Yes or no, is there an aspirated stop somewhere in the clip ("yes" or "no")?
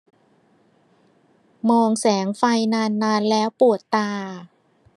no